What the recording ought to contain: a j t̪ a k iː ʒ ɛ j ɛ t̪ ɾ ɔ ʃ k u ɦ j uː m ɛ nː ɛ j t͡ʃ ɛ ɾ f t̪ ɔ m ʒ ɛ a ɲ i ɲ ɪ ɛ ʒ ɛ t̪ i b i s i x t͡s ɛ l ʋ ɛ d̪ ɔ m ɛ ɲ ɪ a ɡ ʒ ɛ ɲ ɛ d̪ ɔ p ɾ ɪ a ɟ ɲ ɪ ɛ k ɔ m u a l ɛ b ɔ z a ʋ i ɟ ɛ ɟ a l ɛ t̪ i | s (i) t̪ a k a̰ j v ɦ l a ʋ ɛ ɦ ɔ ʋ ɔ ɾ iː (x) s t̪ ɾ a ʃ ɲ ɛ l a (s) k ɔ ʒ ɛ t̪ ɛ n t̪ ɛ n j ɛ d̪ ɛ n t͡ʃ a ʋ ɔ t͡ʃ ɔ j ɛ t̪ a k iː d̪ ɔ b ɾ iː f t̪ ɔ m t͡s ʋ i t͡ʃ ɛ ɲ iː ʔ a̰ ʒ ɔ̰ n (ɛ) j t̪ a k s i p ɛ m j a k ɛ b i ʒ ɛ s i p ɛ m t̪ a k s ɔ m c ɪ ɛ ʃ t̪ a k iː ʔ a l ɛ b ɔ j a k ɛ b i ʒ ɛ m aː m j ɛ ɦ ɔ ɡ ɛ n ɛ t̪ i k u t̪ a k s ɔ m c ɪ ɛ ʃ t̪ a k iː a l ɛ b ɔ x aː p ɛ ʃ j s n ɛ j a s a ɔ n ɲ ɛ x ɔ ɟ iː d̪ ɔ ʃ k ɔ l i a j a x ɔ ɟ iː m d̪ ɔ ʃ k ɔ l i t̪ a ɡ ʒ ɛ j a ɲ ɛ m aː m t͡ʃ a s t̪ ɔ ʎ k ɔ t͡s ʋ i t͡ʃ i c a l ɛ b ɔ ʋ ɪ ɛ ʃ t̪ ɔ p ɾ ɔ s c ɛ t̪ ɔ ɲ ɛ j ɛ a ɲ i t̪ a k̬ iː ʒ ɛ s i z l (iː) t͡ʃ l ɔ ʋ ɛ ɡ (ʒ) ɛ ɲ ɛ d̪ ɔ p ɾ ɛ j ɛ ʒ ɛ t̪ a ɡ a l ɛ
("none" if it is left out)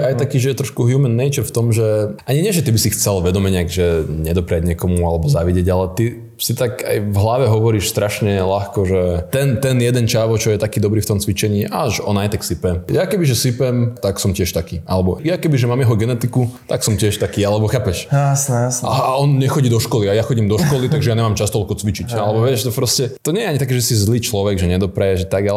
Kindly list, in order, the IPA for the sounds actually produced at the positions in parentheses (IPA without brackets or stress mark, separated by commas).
i, ʃ, x, a, iː, ʒ